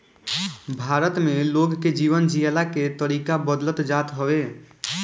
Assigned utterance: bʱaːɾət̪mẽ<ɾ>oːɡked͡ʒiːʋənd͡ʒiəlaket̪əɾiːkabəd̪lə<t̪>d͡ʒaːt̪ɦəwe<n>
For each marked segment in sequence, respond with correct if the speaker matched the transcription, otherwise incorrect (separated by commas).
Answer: incorrect, correct, incorrect